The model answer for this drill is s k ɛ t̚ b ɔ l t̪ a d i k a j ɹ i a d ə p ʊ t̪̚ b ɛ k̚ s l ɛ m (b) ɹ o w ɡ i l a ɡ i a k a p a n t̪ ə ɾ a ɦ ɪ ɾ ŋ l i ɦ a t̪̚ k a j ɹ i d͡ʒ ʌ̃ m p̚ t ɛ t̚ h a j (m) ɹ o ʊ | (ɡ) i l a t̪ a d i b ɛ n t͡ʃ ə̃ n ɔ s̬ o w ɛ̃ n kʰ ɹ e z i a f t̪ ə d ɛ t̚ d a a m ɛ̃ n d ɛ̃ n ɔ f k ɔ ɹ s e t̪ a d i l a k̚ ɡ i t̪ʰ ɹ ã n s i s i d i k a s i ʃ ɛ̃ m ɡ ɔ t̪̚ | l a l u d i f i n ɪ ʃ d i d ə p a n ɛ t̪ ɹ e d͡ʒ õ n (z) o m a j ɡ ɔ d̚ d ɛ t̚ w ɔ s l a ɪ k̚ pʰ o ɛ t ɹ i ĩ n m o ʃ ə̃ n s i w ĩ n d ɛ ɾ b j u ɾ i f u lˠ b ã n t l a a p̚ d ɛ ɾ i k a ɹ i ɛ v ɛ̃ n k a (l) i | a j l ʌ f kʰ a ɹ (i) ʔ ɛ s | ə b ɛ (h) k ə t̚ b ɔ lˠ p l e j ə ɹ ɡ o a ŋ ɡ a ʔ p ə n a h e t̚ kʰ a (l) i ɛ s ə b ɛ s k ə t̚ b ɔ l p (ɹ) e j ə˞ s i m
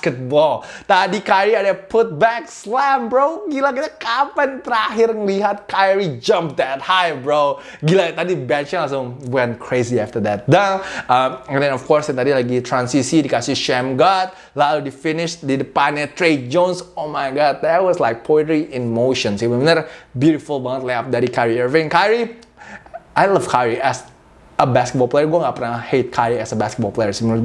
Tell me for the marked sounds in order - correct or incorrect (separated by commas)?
correct, incorrect, correct, incorrect, incorrect, correct, incorrect, incorrect, incorrect